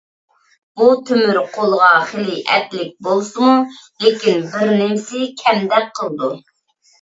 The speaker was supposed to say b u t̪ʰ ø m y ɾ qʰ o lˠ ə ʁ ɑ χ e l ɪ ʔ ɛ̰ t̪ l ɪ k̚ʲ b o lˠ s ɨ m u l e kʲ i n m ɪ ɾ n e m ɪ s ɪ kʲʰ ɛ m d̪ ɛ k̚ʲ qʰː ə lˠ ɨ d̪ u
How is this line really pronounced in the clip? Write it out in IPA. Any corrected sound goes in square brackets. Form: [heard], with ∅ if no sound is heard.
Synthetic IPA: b u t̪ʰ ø m y ɾ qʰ o lˠ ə ʁ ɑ χ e l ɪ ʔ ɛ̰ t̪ l ɪ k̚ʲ b o lˠ s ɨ m u l e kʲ i n [b] ɪ ɾ n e m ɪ s ɪ kʲʰ ɛ m d̪ ɛ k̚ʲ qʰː ə lˠ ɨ d̪ u